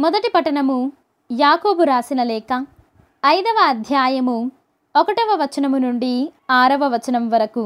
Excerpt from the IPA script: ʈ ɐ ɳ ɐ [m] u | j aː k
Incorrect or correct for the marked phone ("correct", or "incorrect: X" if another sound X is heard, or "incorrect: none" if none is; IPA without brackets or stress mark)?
correct